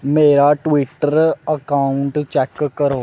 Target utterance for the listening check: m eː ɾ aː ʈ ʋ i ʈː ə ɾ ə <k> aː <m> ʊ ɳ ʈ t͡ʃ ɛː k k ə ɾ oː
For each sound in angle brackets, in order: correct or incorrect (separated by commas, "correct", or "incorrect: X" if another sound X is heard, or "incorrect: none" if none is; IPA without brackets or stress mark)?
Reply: correct, incorrect: none